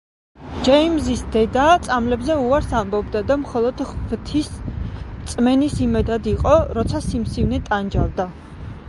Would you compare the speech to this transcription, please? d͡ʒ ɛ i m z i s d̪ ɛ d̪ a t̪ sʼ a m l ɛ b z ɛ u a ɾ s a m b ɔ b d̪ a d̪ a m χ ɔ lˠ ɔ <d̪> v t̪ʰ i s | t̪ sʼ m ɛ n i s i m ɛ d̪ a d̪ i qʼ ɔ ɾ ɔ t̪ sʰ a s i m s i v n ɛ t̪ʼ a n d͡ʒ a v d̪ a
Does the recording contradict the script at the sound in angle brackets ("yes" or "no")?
no